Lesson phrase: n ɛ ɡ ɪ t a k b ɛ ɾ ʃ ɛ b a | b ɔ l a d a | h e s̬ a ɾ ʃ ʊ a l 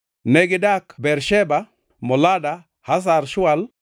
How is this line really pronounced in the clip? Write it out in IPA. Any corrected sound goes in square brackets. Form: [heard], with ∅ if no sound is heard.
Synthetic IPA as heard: n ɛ ɡ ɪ [d] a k b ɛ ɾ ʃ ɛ b a | [m] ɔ l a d a | h [a] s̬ a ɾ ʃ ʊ a l